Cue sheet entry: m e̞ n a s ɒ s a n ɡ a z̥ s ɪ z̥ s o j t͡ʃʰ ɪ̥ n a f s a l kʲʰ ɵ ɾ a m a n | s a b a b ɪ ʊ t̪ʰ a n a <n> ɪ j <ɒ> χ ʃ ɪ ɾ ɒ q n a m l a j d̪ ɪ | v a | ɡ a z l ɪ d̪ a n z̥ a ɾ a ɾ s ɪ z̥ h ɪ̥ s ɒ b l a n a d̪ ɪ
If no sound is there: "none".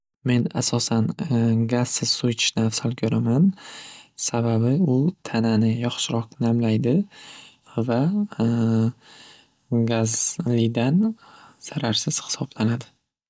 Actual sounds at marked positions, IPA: n, ɒ

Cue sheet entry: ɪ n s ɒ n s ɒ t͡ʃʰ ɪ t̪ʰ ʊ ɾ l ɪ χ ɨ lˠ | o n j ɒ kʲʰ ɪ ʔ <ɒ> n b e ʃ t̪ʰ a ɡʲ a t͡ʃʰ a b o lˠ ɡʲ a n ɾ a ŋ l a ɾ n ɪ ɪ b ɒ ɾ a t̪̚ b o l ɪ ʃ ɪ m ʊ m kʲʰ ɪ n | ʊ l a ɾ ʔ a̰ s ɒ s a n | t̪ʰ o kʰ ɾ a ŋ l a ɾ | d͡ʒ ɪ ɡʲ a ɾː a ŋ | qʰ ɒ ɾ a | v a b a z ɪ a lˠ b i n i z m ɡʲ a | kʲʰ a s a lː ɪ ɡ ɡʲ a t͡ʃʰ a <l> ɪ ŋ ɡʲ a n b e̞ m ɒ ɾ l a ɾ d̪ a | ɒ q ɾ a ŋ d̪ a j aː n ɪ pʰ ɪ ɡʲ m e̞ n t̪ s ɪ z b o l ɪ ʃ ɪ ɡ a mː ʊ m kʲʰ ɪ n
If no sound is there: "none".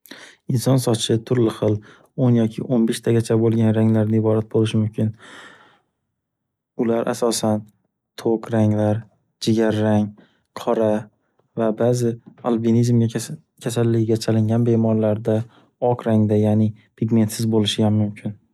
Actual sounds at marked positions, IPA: o, l

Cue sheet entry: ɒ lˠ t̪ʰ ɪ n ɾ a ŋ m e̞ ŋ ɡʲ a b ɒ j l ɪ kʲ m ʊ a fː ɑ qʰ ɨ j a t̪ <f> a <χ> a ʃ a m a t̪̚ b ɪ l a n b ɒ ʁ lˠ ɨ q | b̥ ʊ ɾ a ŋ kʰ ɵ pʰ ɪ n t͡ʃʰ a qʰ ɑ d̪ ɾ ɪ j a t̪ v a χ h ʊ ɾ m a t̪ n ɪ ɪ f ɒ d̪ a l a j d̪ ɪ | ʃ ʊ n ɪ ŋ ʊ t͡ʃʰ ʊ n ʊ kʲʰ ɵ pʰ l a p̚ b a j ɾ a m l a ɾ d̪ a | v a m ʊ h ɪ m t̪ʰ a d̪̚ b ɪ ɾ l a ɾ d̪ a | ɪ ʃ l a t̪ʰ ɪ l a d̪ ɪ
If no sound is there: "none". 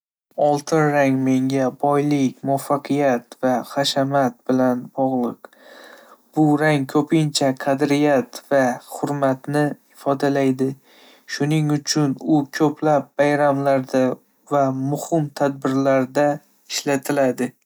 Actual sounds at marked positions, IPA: v, χ

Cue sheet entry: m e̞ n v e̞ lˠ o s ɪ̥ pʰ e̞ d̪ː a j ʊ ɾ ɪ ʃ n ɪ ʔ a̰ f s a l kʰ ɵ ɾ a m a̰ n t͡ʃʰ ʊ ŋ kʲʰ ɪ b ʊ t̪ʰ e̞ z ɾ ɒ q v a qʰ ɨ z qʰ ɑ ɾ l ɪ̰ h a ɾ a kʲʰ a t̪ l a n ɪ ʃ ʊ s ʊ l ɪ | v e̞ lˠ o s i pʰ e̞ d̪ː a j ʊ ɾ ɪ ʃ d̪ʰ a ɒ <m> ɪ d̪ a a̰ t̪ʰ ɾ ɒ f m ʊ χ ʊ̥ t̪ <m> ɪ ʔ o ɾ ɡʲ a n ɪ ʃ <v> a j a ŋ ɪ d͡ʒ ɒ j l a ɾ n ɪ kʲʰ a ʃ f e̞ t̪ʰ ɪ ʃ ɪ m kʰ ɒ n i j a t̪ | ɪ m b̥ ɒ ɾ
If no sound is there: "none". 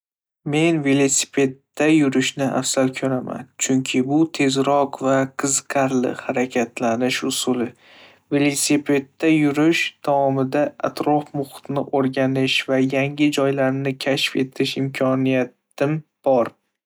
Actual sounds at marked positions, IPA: m, n, v

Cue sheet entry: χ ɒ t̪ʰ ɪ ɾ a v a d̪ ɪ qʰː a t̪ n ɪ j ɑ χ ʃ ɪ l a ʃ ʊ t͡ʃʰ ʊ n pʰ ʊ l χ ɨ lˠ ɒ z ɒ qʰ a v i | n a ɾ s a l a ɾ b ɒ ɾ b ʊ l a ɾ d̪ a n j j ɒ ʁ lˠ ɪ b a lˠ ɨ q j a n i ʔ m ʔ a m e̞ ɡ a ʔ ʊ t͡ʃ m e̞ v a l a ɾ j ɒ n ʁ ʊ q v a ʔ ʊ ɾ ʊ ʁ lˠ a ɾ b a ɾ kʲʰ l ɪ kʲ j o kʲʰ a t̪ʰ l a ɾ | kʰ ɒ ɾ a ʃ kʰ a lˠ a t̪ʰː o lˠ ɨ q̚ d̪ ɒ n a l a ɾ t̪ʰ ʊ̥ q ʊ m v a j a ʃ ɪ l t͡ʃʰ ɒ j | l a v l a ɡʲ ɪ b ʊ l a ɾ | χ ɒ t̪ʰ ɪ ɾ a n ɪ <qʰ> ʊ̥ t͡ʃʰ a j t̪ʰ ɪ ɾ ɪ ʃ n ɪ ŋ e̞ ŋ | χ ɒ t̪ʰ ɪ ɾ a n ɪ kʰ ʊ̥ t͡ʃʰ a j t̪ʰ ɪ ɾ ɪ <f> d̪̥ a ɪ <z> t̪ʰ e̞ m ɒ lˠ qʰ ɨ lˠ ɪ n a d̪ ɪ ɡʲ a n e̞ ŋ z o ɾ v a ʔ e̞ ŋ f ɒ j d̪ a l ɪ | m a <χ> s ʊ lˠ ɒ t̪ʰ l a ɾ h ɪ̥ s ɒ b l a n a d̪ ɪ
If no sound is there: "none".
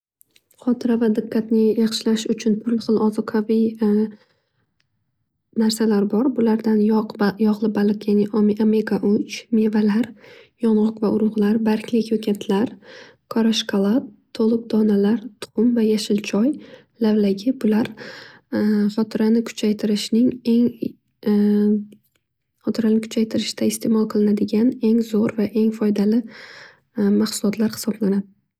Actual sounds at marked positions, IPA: kʰ, ʃ, s, χ

